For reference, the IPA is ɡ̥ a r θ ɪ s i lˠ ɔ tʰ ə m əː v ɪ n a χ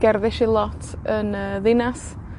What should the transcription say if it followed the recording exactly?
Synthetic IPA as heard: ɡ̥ ɛ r ð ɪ ʃ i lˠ ɔ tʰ ə n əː ð ɪ n a s